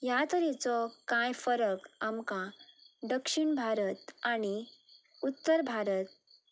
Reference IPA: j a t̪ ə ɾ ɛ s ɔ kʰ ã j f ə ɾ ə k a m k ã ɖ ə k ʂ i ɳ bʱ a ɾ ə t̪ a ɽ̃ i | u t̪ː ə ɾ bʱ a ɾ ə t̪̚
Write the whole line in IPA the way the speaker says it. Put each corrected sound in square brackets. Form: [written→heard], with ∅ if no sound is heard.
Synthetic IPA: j a t̪ ə ɾ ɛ [s→t͡s] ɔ [kʰ→k] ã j f ə ɾ ə k a m k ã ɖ ə k ʂ i ɳ bʱ a ɾ ə t̪ a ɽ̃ i | u t̪ː ə ɾ bʱ a ɾ ə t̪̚